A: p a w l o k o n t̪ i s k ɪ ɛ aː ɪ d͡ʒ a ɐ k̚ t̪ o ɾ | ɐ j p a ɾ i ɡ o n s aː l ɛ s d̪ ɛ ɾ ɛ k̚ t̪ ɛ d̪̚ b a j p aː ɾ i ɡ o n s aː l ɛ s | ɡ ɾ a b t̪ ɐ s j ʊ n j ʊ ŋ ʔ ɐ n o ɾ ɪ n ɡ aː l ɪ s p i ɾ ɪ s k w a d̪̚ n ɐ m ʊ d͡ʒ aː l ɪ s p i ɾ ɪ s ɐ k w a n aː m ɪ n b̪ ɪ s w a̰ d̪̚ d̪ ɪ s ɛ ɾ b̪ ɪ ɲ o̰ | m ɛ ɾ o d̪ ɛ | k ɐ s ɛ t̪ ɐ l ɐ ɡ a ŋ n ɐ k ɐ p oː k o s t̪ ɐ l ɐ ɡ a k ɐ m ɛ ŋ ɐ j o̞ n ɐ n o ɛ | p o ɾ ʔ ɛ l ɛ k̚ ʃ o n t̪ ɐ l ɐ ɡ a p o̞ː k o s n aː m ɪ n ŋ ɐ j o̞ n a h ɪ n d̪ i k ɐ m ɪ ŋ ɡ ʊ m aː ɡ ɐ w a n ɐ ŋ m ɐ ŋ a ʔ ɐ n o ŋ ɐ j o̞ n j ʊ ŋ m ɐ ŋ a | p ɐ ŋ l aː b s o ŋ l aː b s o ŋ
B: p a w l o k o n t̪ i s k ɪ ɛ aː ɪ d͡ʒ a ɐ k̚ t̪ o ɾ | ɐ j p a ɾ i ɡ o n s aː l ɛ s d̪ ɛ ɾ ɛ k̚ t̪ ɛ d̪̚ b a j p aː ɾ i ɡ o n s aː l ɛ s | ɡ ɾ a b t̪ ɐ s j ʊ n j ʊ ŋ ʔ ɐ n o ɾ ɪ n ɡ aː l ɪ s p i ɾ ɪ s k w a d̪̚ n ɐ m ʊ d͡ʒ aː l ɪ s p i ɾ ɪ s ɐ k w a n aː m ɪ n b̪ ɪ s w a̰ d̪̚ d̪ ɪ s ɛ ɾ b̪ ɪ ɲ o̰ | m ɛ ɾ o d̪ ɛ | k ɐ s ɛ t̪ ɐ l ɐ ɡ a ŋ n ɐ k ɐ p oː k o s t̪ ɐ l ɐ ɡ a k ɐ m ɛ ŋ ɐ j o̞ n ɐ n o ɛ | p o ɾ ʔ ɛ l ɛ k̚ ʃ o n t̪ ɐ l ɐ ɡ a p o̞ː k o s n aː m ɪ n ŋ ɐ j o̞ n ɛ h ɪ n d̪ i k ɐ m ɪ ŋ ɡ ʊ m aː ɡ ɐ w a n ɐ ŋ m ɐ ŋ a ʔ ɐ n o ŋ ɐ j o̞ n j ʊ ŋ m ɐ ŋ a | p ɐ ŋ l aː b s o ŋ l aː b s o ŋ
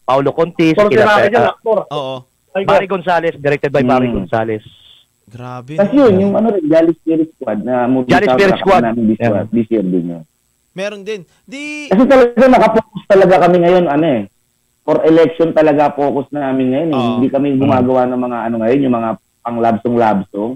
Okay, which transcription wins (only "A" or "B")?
B